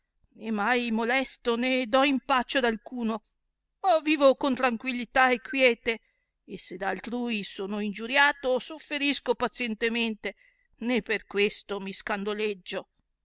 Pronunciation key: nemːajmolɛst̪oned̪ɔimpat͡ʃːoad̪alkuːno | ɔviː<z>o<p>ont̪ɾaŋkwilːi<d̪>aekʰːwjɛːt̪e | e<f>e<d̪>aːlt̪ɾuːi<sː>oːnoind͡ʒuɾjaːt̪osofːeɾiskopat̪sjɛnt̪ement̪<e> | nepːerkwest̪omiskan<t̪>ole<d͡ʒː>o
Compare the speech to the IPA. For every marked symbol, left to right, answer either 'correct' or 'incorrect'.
incorrect: v, incorrect: k, incorrect: t̪, incorrect: s, correct, incorrect: s, correct, incorrect: d̪, correct

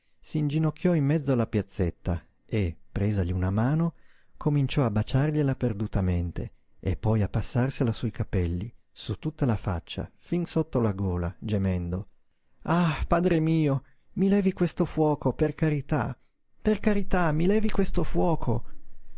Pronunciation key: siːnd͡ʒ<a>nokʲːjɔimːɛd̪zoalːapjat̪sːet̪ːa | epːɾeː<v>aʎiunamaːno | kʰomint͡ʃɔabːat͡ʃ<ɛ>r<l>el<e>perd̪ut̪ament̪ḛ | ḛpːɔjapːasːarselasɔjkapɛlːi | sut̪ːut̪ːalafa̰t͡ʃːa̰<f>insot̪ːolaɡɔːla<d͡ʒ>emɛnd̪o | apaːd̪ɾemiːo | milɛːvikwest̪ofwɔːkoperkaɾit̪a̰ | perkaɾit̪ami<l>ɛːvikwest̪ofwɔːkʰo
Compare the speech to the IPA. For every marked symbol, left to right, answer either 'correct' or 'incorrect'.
incorrect: i, incorrect: z, incorrect: a, incorrect: ʎ, incorrect: a, correct, correct, correct

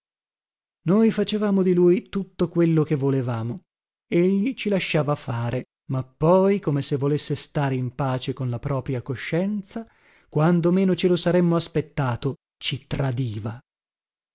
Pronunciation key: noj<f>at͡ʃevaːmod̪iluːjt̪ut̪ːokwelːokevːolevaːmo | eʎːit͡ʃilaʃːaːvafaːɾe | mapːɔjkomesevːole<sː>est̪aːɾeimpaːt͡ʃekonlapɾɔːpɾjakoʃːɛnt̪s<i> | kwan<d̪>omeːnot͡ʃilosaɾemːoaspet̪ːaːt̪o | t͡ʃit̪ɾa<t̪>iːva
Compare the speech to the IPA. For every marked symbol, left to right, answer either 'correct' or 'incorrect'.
correct, correct, incorrect: a, correct, incorrect: d̪

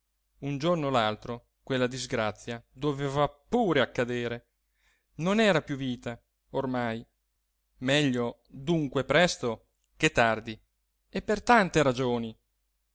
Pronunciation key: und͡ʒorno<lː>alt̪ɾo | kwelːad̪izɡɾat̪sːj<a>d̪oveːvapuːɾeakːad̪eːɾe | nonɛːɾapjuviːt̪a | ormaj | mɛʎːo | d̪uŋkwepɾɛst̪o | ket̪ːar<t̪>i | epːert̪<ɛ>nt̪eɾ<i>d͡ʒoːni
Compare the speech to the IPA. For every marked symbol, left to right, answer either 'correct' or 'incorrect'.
incorrect: l, correct, incorrect: d̪, incorrect: a, incorrect: a

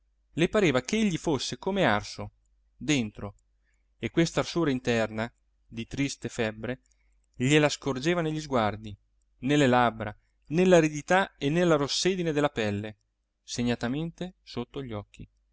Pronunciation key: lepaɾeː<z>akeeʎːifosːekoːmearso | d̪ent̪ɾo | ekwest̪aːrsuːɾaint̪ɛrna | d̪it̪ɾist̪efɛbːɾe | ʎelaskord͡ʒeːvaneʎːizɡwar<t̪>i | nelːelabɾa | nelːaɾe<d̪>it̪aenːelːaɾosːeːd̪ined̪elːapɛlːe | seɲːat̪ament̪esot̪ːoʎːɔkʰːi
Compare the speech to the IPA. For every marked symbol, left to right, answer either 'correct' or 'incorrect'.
incorrect: v, incorrect: d̪, correct

